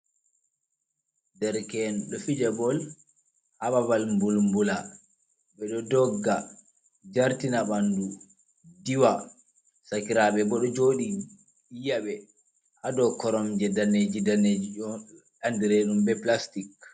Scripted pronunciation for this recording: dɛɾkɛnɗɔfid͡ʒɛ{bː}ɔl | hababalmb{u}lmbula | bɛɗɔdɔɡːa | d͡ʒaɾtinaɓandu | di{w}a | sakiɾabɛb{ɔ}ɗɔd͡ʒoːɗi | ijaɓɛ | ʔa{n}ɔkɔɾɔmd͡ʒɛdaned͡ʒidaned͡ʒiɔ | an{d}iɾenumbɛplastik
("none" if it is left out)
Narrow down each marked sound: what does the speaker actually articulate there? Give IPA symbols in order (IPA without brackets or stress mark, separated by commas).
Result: b, u, w, ɔ, d, d